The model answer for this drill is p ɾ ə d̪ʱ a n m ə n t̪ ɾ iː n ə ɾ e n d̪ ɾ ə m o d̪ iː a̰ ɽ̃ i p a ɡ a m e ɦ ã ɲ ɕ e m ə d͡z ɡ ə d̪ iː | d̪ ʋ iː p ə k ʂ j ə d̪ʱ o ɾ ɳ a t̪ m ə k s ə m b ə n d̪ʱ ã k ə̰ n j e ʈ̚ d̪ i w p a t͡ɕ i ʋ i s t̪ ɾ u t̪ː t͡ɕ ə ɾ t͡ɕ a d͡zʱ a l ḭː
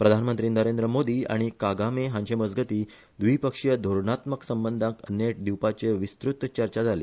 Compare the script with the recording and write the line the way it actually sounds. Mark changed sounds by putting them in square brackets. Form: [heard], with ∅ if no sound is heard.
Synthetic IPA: p ɾ ə d̪ʱ a n m ə n t̪ ɾ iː n ə ɾ e n d̪ ɾ ə m o d̪ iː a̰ ɽ̃ i [k] a ɡ a m e ɦ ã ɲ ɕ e m ə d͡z ɡ ə [t̪] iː | d̪ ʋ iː p ə k ʂ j ə d̪ʱ o ɾ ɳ a t̪ m ə k s ə m b ə n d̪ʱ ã k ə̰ n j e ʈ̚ d̪ i w p a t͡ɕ [e] ʋ i s t̪ ɾ u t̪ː t͡ɕ ə ɾ t͡ɕ a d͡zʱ a l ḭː